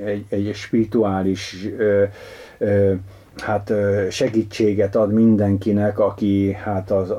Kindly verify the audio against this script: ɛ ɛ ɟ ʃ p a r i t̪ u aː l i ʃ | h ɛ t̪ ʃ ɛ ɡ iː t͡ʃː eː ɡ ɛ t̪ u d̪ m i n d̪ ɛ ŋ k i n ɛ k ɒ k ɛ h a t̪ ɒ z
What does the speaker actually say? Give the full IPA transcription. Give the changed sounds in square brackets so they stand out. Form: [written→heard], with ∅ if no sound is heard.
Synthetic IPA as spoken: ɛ ɛ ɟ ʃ p [a→i] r i t̪ u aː l i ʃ | h [ɛ→a] t̪ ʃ ɛ ɡ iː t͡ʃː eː ɡ ɛ t̪ [u→ɒ] d̪ m i n d̪ ɛ ŋ k i n ɛ k ɒ k [ɛ→i] h a t̪ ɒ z